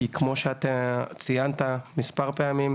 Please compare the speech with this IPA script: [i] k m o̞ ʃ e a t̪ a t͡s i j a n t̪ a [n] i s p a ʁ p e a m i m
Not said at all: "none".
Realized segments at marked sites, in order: i, m

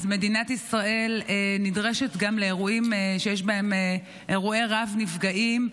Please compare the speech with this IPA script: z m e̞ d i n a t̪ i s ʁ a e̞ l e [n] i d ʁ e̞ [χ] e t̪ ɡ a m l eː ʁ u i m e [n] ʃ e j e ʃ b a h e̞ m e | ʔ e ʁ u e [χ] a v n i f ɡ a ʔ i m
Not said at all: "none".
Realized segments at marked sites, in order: n, ʃ, none, ʁ

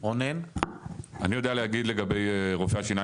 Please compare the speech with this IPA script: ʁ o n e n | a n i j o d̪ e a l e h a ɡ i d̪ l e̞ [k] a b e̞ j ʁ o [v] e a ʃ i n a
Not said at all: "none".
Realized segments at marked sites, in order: ɡ, f

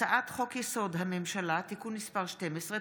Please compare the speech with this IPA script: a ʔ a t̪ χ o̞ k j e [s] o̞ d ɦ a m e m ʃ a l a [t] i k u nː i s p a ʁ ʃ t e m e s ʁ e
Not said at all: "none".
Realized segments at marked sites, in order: s, t

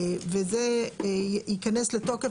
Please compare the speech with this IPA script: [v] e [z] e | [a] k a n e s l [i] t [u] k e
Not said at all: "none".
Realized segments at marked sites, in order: v, z, i, e, o

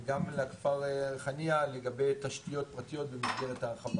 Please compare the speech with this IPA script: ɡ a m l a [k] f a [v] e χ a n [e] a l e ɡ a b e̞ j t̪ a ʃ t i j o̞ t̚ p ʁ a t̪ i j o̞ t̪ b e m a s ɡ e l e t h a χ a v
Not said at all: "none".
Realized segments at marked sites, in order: k, ʁ, i

